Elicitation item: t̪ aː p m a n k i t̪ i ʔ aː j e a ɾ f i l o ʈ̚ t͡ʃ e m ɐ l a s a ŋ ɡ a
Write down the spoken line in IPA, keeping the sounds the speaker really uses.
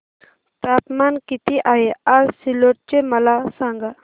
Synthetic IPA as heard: t̪ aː p m a n k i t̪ i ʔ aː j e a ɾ s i l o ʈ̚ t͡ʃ e m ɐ l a s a ŋ ɡ a